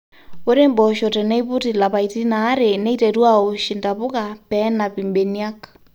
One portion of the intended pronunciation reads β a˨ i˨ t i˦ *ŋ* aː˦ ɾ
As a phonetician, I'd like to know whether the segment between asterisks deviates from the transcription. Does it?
yes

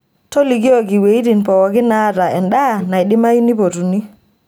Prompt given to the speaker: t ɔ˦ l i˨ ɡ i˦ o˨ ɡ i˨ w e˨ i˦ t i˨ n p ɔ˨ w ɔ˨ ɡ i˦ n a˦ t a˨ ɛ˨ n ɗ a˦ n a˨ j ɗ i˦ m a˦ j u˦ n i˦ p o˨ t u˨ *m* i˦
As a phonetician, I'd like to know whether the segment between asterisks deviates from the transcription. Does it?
yes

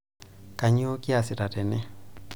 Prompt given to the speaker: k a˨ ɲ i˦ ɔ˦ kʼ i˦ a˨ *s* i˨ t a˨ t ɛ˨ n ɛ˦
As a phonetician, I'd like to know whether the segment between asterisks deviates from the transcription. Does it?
no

